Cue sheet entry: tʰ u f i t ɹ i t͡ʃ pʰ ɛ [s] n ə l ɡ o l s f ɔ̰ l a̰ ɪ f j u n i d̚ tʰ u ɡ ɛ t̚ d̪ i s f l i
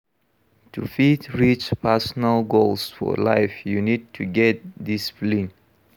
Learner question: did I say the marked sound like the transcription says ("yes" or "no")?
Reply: yes